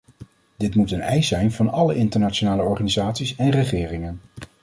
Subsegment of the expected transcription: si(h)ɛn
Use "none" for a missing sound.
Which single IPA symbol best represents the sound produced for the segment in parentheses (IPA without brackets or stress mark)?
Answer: s